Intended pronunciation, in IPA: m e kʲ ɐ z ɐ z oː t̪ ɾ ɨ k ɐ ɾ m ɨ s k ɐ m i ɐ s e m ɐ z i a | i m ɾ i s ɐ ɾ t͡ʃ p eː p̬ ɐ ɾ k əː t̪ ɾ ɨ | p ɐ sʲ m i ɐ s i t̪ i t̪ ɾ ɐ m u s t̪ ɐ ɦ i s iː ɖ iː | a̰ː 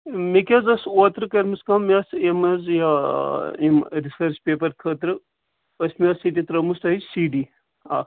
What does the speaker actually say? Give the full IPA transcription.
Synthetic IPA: m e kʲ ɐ z ɐ s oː t̪ ɾ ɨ k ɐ ɾ m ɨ s k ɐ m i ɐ s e m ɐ z j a | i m ɾ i s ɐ ɾ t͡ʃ p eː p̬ ɐ ɾ kʰ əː t̪ ɾ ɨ | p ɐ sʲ m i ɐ s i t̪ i t̪ ɾ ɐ m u s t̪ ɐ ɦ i s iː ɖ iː | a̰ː